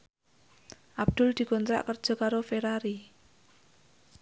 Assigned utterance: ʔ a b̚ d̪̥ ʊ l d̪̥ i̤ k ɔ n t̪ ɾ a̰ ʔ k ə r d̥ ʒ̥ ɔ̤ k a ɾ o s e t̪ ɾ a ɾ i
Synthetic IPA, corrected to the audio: ʔ a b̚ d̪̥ ʊ l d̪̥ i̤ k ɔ n t̪ ɾ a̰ ʔ k ə r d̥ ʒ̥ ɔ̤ k a ɾ o f e ɾ a ɾ i